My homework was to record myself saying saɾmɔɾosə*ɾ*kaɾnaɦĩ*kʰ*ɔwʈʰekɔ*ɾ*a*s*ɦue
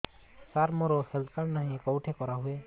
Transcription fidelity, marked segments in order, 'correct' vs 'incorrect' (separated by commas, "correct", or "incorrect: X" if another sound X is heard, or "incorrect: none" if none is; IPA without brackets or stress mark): incorrect: l, incorrect: k, correct, incorrect: none